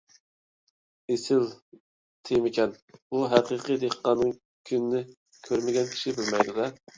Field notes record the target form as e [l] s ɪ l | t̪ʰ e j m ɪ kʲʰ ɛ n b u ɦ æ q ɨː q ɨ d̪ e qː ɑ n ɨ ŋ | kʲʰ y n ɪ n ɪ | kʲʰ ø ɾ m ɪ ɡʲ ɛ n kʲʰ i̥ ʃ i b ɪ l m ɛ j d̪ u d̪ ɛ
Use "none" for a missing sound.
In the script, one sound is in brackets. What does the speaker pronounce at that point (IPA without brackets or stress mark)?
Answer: none